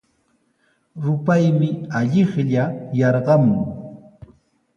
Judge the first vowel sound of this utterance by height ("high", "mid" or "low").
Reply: high